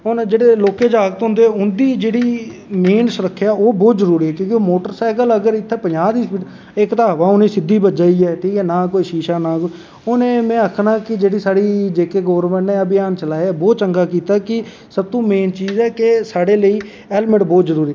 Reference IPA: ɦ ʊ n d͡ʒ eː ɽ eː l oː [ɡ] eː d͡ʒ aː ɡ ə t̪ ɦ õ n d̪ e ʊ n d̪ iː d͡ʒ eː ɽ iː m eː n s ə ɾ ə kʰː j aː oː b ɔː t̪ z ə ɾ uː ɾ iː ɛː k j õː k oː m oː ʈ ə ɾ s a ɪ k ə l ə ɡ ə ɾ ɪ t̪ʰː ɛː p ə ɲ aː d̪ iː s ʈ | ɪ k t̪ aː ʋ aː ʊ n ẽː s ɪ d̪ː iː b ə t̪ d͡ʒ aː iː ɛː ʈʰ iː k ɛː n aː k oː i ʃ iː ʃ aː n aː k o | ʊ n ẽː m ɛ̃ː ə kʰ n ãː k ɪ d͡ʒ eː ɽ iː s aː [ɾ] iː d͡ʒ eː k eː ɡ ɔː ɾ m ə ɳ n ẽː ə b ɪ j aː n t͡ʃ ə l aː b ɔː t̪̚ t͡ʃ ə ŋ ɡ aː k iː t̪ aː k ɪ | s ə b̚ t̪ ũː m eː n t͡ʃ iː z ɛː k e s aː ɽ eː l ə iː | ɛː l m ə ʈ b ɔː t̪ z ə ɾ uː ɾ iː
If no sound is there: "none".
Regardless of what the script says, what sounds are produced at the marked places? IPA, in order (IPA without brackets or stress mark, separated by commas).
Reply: k, ɽ